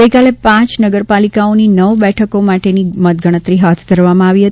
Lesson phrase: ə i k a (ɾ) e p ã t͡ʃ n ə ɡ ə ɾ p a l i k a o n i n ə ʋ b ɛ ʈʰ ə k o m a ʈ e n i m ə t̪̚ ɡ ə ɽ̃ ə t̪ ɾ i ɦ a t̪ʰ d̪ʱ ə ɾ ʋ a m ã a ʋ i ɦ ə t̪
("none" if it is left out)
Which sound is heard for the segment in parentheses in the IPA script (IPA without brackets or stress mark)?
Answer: l